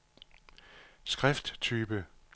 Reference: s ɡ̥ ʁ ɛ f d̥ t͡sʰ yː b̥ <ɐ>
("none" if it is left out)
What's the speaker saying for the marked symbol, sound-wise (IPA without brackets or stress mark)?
ə